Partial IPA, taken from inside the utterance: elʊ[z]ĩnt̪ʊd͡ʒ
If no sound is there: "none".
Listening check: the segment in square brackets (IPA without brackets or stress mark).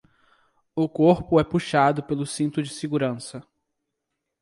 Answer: s